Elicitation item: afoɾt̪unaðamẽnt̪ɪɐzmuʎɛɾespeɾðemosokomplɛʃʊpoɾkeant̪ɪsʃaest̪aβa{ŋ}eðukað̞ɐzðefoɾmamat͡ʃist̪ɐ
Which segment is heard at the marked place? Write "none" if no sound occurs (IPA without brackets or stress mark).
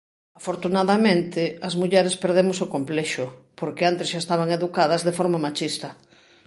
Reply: ŋ